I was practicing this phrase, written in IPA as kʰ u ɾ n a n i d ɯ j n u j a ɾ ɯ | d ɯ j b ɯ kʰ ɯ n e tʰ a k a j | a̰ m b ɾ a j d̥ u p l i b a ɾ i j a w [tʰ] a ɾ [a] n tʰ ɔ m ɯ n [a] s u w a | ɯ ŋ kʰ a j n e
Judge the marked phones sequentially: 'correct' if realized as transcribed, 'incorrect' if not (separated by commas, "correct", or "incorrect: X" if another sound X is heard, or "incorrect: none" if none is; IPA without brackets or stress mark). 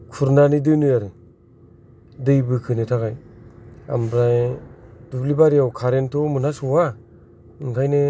incorrect: kʰ, incorrect: e, correct